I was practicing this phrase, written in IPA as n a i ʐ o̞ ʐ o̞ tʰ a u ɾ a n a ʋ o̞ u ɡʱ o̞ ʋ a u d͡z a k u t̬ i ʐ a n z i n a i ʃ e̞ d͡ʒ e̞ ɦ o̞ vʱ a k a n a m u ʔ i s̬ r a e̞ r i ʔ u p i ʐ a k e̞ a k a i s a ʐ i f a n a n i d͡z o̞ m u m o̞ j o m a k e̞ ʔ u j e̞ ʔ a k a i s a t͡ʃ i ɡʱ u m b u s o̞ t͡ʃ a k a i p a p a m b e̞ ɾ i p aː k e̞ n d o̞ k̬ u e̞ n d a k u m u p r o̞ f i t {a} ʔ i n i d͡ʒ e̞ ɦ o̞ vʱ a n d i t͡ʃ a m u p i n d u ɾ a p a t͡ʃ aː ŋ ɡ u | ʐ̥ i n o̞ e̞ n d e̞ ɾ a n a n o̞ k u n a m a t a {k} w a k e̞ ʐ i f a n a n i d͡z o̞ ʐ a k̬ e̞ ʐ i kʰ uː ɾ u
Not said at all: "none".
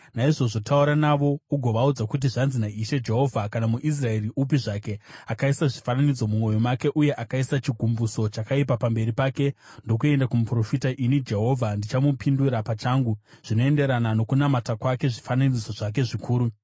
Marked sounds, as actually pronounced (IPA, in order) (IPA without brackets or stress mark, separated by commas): a, k